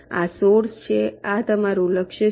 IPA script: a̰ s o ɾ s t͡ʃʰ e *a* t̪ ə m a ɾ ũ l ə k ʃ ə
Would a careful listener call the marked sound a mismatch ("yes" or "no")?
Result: no